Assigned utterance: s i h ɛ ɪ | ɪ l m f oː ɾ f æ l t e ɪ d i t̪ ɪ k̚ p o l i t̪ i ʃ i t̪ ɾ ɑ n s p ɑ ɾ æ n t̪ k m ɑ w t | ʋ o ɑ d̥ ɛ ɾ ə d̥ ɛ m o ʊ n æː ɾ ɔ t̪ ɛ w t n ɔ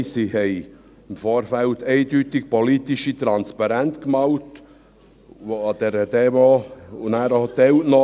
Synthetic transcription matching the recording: s i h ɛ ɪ | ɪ m f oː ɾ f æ l t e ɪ d y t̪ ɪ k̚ p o l i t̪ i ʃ i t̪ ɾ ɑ n s p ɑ ɾ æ n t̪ k m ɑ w t | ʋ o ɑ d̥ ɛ ɾ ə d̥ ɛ m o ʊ n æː ɾ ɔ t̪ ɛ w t n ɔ